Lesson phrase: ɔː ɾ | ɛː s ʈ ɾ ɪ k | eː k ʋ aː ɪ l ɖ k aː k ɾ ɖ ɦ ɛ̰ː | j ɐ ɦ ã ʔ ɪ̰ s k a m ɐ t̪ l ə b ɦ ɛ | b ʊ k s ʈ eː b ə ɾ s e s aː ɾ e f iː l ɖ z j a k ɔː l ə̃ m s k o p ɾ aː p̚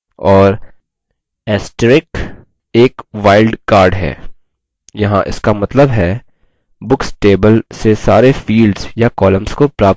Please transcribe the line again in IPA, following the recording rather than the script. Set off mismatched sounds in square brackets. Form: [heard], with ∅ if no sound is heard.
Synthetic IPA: ɔː ɾ | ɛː s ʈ ɾ ɪ k | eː k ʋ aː ɪ l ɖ k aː [∅] ɾ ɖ ɦ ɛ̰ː | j ɐ ɦ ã ʔ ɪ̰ s k a m ɐ t̪ l ə b ɦ ɛ | b ʊ k s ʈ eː b ə [l] s e s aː ɾ e f iː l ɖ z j a k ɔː l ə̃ m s k o p ɾ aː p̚

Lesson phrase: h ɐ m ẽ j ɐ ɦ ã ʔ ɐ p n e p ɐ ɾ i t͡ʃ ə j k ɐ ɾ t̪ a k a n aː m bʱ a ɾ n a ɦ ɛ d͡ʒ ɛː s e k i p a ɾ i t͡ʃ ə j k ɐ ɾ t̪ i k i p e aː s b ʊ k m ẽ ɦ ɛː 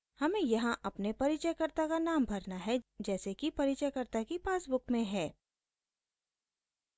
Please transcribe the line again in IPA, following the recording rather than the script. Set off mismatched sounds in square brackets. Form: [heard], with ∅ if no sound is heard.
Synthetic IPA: h ɐ m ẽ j ɐ ɦ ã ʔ ɐ p n e p ɐ ɾ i t͡ʃ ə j k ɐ ɾ t̪ a k a n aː m bʱ [ɐ] ɾ n a ɦ ɛ d͡ʒ ɛː s e k i p [ɐ] ɾ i t͡ʃ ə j k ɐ ɾ t̪ [a] k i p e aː s b ʊ k m ẽ ɦ ɛː

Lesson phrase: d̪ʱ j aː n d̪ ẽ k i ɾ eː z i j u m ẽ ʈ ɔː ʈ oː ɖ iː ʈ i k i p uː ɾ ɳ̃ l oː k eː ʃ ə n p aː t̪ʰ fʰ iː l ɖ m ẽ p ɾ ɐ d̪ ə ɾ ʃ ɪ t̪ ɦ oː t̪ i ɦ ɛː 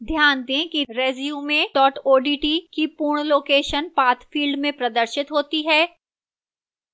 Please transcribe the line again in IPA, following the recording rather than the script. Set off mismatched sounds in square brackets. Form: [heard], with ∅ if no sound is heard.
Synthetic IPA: d̪ʱ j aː n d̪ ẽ k i ɾ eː z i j u m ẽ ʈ ɔː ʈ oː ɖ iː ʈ i k i p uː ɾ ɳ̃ l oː k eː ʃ ə n p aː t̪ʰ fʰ iː l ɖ m ẽ p ɾ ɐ d̪ ə ɾ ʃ ɪ t̪ ɦ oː t̪ i ɦ ɛː

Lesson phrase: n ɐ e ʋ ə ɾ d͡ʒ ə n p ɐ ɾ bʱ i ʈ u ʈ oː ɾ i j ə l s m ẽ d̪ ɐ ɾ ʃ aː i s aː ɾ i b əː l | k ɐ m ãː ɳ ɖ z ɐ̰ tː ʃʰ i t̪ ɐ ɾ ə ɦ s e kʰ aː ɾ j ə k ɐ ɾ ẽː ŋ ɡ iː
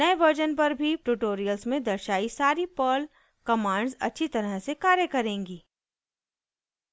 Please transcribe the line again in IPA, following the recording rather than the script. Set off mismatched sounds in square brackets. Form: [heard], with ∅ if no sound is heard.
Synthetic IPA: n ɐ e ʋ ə ɾ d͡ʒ ə n p ɐ ɾ bʱ i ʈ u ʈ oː ɾ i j ə l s m ẽ d̪ ɐ ɾ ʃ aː i s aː ɾ i [p] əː l | k ɐ m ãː ɳ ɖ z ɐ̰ tː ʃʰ i t̪ ɐ ɾ ə ɦ s e [k] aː ɾ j ə k ɐ ɾ ẽː ŋ ɡ iː

